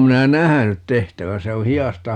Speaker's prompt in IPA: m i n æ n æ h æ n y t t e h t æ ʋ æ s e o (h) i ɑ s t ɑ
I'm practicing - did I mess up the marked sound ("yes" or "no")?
no